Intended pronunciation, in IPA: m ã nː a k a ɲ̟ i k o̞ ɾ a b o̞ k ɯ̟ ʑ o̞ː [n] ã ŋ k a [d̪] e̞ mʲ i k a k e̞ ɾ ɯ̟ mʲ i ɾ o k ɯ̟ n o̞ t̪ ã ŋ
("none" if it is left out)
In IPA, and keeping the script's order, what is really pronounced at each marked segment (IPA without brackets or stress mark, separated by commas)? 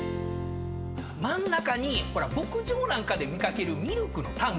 n, d̪